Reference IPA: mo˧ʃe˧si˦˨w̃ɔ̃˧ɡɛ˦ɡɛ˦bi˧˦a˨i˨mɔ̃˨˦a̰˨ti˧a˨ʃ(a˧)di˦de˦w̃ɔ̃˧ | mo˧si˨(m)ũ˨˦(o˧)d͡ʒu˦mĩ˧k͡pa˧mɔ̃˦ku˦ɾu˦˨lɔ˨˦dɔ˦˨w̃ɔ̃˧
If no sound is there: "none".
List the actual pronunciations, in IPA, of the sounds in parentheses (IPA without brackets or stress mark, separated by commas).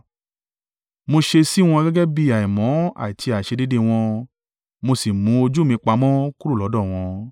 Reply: e˧, m, o˧